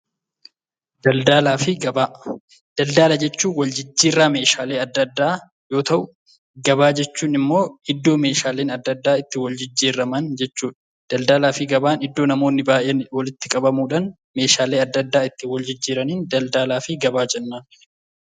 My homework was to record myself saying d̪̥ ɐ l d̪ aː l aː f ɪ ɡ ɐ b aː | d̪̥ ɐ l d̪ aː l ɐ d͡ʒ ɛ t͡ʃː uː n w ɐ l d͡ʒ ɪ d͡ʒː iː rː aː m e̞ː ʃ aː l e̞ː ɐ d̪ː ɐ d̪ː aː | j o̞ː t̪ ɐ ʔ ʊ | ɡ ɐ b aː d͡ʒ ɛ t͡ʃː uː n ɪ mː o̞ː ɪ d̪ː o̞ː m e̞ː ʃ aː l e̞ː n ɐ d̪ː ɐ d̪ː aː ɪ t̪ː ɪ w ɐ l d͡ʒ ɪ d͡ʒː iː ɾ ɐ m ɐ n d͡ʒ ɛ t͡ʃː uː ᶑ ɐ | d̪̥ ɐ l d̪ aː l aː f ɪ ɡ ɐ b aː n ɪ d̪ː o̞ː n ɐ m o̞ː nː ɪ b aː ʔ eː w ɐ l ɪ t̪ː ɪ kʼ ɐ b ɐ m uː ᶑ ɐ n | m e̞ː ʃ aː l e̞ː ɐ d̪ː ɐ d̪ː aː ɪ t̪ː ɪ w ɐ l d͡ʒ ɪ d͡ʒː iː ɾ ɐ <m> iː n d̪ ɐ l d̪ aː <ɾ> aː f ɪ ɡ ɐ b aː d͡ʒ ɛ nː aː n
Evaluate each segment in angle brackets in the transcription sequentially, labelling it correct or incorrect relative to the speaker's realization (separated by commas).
incorrect, incorrect